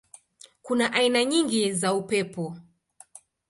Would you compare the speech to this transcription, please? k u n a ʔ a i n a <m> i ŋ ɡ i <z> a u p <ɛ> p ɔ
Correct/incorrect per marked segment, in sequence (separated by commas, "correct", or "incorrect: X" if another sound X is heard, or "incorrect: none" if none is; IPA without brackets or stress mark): incorrect: ɲ, correct, correct